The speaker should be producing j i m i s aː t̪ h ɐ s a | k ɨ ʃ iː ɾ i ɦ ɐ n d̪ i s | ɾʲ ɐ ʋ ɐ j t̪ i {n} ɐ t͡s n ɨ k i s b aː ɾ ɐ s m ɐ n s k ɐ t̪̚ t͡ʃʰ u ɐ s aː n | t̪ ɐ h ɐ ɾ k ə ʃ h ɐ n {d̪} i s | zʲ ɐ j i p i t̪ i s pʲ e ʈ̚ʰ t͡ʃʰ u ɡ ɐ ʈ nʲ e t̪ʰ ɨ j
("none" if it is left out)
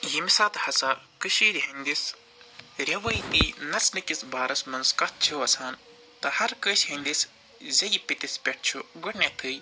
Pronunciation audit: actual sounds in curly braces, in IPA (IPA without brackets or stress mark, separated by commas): n, d̪